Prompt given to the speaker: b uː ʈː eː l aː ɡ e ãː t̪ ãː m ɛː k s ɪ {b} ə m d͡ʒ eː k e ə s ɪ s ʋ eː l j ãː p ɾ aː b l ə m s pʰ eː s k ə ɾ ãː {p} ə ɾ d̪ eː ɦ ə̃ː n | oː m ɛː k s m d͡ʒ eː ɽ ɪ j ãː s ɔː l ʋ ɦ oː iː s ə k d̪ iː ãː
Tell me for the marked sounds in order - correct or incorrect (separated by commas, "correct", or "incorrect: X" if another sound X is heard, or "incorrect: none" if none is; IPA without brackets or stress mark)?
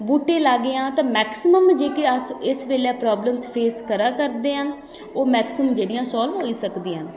incorrect: m, incorrect: k